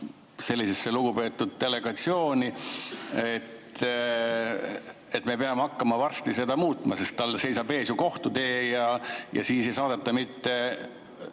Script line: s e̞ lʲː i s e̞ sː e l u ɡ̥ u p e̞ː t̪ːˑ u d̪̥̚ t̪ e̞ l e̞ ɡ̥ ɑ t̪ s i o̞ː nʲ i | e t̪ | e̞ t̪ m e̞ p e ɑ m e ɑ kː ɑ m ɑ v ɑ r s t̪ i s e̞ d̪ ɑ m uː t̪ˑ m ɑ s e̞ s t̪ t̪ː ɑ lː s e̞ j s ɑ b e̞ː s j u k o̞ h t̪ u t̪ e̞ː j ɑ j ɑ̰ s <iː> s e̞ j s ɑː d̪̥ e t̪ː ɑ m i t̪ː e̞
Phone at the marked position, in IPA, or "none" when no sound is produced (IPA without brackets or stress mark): iː